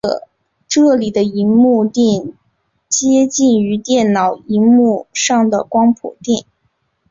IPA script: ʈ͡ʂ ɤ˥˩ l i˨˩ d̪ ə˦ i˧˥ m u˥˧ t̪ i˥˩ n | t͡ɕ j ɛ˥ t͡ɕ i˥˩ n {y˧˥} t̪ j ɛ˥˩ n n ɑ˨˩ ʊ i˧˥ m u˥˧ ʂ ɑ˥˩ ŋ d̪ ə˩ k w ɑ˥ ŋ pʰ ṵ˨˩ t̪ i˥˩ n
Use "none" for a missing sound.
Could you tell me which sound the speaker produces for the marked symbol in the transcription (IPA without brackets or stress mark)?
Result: y˧˥